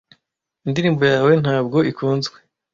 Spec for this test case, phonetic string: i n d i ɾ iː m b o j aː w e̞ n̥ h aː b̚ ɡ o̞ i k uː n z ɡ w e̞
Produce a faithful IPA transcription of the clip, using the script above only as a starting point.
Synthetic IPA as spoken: i n d i ɾ iː m b o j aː w e̞ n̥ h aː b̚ ɡ o̞ i k uː n z ɡ w e̞